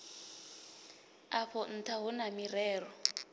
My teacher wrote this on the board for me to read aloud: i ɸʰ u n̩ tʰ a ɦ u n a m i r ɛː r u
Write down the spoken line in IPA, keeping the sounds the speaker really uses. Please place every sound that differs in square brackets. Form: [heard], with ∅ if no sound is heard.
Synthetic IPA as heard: [a] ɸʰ [ɔ] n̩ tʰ a ɦ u n a m i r ɛː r [ɔ]